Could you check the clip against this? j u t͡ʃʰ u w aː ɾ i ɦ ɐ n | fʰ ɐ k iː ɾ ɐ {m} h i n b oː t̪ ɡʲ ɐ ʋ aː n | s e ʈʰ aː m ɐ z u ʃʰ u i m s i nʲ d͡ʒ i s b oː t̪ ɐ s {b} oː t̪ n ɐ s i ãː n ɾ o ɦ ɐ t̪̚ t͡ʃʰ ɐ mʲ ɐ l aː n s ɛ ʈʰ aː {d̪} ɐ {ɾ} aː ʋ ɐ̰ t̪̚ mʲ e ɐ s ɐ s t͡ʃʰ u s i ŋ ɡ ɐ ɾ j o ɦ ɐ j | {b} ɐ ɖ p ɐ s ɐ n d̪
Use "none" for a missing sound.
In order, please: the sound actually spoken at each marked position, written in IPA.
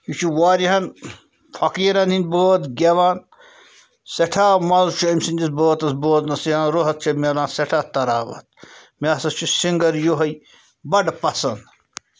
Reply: n, b, t̪, ɾ, b

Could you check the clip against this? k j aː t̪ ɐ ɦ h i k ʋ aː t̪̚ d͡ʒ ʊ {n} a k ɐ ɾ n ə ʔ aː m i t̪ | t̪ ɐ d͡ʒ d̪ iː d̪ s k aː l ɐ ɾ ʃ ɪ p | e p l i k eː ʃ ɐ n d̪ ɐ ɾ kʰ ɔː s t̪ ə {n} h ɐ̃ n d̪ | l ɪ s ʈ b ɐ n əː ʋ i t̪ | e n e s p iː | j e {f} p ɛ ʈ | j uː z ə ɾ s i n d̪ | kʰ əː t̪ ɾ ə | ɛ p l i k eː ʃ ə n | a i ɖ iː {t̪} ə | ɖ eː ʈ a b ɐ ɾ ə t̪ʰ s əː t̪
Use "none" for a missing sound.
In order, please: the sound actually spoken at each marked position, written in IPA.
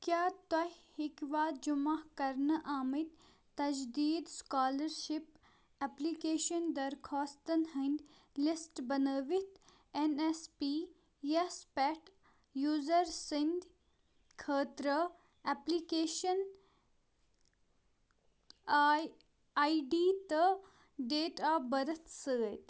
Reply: m, n, s, t̪

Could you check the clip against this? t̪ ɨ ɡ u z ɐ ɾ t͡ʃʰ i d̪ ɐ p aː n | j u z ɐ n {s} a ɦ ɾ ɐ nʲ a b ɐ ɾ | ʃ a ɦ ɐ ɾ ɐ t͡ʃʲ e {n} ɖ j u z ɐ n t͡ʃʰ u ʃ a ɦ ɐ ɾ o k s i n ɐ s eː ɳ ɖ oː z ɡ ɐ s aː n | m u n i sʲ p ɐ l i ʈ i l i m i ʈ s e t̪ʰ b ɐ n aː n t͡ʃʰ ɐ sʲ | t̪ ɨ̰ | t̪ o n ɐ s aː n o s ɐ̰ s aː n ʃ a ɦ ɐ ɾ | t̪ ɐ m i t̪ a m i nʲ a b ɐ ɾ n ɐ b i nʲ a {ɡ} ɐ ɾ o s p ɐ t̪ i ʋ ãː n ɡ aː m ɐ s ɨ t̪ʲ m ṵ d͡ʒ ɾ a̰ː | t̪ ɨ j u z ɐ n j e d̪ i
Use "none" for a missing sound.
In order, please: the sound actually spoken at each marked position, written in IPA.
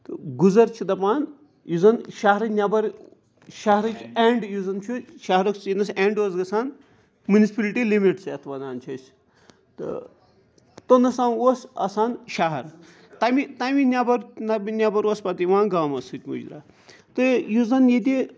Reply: ʃ, ɳ, b

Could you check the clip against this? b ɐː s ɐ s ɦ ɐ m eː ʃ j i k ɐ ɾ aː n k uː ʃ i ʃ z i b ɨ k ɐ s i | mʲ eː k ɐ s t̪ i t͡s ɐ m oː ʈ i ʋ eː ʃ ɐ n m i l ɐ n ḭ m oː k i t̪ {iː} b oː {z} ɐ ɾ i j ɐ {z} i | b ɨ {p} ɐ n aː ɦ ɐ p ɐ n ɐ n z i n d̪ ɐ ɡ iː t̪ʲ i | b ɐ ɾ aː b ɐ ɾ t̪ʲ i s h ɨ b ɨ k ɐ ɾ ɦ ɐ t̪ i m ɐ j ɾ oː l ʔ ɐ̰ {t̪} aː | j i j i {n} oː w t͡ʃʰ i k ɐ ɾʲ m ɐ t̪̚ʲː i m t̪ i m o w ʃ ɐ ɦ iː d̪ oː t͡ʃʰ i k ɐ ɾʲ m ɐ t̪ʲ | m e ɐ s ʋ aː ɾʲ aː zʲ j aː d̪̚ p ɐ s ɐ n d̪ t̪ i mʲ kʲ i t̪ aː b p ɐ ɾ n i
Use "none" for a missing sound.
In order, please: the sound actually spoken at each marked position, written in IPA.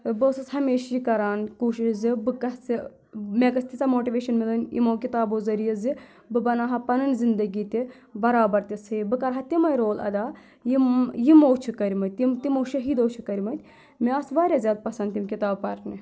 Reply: aː, z, z, b, d̪, m

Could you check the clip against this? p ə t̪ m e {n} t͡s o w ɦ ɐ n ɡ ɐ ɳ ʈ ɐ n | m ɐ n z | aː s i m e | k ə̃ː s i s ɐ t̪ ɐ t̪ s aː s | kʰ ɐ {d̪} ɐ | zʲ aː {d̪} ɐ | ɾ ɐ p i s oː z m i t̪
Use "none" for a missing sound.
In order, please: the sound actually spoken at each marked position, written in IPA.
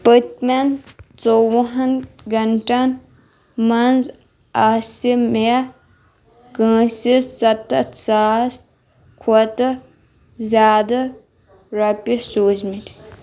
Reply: n, t̪, d̪

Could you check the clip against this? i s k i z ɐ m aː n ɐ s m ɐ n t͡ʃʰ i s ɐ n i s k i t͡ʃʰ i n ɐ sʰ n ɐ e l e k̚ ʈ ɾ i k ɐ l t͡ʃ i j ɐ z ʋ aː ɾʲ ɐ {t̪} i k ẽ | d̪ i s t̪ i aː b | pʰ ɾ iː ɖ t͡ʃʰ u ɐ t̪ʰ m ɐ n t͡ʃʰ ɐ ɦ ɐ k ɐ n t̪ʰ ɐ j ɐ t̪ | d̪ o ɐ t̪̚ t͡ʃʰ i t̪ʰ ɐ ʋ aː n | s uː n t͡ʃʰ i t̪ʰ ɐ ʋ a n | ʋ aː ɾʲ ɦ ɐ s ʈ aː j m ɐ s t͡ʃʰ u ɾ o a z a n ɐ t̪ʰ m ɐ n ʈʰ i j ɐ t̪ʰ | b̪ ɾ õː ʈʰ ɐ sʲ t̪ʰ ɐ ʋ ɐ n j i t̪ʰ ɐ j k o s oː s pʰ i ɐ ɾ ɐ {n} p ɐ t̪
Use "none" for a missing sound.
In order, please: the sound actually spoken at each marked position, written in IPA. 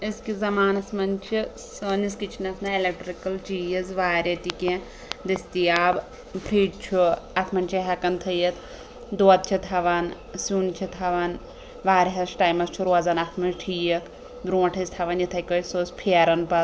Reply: t̪, n

